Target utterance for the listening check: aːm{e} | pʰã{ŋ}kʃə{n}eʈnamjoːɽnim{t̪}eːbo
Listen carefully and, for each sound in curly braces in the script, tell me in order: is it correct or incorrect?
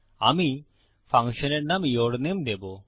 incorrect: i, correct, correct, incorrect: d̪

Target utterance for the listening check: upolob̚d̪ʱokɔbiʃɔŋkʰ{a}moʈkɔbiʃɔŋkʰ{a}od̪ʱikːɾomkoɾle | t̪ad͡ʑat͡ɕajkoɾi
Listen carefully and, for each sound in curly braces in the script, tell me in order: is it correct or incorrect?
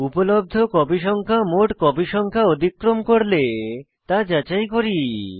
correct, correct

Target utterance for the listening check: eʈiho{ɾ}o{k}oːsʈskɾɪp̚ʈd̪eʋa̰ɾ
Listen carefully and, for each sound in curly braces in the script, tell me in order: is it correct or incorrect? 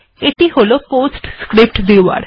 incorrect: l, incorrect: p

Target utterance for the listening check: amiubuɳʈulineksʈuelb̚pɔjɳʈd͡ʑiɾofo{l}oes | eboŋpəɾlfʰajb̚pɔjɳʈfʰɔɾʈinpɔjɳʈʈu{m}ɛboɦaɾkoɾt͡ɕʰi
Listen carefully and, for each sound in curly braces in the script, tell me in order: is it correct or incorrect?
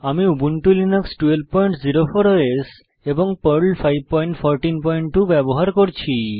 incorrect: ɾ, incorrect: b

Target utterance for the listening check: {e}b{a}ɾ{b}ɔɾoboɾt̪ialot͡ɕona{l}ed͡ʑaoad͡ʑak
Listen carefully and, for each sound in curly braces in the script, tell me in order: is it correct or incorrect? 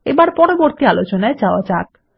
correct, correct, incorrect: p, incorrect: none

